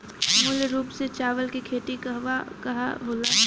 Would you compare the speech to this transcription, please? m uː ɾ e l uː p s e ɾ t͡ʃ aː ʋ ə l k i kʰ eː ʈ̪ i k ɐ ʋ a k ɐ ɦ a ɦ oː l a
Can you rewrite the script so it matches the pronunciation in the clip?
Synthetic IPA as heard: m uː l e ɾ uː p s e t͡ʃ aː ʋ ə l k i kʰ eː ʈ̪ i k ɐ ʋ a k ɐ ɦ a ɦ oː l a